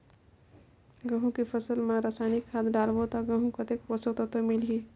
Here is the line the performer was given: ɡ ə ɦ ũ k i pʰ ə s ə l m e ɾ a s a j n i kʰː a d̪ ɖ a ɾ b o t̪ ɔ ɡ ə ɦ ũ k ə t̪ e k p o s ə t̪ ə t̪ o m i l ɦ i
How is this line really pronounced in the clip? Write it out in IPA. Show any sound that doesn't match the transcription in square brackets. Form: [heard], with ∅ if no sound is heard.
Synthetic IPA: ɡ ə ɦ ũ k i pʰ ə s ə l m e ɾ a s a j n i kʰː a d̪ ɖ a [l] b o t̪ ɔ ɡ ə ɦ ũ k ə t̪ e k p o s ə t̪ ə t̪ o m i l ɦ i